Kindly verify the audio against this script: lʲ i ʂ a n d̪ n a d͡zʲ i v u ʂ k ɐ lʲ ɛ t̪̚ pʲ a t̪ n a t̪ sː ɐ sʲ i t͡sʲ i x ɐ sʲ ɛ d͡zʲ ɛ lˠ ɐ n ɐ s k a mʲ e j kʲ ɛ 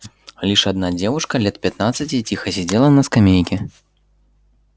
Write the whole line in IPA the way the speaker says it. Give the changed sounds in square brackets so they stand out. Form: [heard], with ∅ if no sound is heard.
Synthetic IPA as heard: lʲ i ʂ a [∅] d̪ n a d͡zʲ [ɛ] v u ʂ k ɐ lʲ ɛ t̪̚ pʲ a t̪ n a t̪ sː ɐ [t͡sʲ] i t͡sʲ i x ɐ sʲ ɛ d͡zʲ ɛ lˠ ɐ n ɐ s k a mʲ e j kʲ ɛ